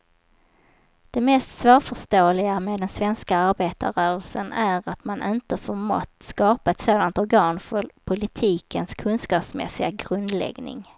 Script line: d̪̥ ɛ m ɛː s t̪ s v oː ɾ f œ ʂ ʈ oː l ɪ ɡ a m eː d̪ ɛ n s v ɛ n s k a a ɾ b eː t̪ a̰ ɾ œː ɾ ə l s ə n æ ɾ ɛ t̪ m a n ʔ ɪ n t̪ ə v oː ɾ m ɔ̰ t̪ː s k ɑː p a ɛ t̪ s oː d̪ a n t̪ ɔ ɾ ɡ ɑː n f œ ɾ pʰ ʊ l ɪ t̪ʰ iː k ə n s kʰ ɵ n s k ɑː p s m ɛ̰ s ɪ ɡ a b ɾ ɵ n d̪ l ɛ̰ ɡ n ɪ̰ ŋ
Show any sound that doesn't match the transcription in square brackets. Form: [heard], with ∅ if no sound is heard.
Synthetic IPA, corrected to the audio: d̪̥ ɛ m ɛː s t̪ s v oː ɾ f œ ʂ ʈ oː l ɪ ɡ a m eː d̪ ɛ n s v ɛ n s k a a ɾ b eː t̪ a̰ ɾ œː ɾ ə l s ə n æ ɾ [a] t̪ m a n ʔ ɪ n t̪ ə [f] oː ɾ m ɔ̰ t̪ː s k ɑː p a ɛ t̪ s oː d̪ a n t̪ ɔ ɾ ɡ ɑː n f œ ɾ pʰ ʊ l ɪ t̪ʰ iː k ə n s kʰ ɵ n s k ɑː p s m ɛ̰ s ɪ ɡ a [ɡ] ɾ ɵ n d̪ l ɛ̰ ɡ n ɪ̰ ŋ